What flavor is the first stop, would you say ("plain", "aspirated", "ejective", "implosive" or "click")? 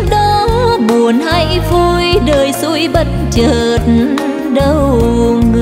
implosive